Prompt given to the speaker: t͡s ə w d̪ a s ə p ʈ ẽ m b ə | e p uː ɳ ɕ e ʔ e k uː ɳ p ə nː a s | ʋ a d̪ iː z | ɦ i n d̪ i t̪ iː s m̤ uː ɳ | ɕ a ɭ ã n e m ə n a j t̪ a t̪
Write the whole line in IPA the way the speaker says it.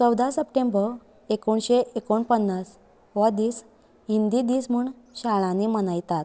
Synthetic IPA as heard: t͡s ə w d̪ a s ə p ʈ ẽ m b ə | e k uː ɳ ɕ e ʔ e k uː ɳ p ə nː a s | ʋ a d̪ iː s | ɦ i n d̪ i d̪ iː s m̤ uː ɳ | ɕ a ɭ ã n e m ə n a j t̪ a t̪